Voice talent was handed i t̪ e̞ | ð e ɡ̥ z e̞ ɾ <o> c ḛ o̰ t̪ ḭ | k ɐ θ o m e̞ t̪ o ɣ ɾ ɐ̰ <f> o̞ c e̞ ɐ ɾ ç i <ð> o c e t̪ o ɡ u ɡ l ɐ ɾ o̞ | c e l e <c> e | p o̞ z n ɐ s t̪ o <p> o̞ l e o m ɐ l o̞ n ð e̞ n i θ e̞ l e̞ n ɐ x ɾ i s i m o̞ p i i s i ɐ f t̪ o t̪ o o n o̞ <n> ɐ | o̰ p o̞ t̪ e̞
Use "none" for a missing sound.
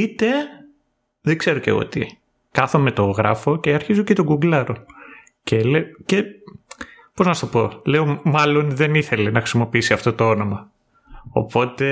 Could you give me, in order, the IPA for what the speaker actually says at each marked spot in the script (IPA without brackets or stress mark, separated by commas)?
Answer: o, f, z, c, p, m